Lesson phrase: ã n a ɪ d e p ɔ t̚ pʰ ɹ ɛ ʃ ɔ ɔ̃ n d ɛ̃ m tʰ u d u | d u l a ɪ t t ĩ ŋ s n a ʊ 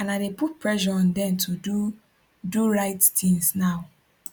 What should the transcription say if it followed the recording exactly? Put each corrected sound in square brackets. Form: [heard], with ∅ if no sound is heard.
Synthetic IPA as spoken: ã n a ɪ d e p [u] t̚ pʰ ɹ ɛ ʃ ɔ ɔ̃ n d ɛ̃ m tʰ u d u | d u [ɹ] a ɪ t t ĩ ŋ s n a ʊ